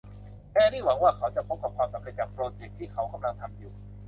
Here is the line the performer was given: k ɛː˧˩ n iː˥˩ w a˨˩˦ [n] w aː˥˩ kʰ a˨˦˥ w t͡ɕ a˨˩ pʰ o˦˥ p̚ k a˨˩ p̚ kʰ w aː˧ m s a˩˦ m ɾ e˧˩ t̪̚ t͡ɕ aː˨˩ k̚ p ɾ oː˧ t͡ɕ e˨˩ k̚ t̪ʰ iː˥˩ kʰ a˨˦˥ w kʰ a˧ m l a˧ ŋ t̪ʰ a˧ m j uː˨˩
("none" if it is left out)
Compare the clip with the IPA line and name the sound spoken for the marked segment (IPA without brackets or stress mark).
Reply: ŋ